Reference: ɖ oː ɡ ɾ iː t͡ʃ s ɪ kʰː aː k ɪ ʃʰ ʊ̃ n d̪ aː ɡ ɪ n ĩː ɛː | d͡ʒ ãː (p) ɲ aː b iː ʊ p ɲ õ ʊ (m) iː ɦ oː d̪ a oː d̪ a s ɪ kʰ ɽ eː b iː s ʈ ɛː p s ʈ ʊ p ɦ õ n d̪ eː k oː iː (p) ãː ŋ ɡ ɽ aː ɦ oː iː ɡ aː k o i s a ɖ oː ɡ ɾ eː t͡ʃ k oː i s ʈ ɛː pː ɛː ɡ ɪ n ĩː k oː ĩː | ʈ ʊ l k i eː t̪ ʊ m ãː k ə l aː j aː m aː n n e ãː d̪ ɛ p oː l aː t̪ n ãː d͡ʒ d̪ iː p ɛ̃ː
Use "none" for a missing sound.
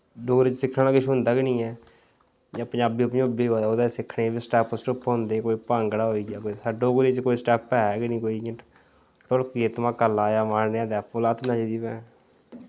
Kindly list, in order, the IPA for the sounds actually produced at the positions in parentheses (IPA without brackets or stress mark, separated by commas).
p, b, p